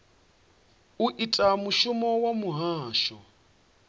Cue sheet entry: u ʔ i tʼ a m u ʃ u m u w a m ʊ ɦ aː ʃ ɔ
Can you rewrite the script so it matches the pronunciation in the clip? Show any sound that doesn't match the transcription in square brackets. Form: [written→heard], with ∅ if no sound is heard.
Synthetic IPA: u ʔ i tʼ a m u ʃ u m [u→ɔ] w a m [ʊ→u] ɦ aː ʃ ɔ